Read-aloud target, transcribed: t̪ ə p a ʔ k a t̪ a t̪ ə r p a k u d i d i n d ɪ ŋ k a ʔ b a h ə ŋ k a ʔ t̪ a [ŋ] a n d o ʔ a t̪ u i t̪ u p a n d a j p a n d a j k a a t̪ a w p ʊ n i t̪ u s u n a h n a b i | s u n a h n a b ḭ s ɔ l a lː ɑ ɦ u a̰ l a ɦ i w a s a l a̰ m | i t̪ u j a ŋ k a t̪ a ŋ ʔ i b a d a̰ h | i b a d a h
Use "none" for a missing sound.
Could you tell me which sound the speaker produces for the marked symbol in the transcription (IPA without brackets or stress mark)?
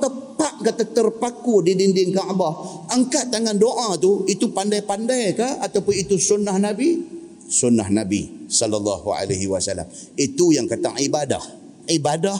ŋ